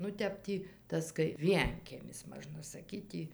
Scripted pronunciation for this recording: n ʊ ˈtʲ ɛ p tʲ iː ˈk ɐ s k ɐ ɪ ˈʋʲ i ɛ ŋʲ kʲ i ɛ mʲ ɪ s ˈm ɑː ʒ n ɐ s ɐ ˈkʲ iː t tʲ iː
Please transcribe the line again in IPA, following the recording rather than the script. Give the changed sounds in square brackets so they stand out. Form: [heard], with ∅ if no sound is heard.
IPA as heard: n ʊ ˈtʲ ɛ p tʲ iː [ˈt] ɐ s k ɐ ɪ ˈʋʲ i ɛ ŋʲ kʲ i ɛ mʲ ɪ s ˈm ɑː ʒ n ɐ s ɐ ˈkʲ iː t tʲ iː